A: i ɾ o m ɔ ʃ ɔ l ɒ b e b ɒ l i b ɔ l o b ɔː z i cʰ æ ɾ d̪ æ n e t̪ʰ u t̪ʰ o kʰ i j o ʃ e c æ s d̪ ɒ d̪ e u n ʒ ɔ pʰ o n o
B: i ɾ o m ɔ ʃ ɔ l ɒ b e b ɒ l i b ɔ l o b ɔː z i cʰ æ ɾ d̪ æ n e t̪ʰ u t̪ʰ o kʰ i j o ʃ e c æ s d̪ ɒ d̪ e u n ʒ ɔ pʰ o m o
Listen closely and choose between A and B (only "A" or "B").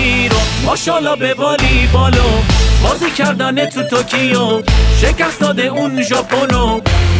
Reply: A